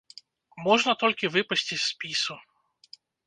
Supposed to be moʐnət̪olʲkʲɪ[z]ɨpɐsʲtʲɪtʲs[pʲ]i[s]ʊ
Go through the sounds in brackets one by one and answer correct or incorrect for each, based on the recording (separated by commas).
incorrect, correct, correct